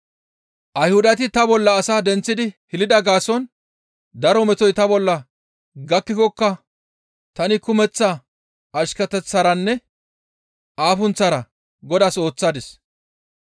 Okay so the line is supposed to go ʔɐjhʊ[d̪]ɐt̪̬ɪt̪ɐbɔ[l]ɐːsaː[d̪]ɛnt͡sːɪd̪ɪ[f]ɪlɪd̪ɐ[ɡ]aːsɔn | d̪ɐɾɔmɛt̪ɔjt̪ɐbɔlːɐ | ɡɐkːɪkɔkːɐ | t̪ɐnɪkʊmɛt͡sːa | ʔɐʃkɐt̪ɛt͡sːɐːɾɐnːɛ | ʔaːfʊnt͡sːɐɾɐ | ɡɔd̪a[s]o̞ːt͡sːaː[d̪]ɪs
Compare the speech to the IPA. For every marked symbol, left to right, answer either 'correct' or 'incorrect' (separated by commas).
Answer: correct, incorrect, correct, incorrect, correct, correct, correct